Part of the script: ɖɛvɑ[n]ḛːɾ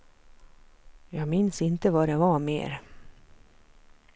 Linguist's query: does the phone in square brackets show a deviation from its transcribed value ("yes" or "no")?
yes